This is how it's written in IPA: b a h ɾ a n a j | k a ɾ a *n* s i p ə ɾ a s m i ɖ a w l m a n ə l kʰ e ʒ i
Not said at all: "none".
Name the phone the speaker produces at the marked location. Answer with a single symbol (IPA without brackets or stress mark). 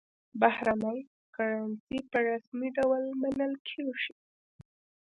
n